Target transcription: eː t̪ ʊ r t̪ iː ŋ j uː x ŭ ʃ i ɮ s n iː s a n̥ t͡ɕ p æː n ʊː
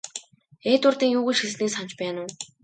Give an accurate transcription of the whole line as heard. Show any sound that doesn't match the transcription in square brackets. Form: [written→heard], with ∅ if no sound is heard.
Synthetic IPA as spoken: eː t̪ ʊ r t̪ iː ŋ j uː [x→ɣ] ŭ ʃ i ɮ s n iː s a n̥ t͡ɕ p æː n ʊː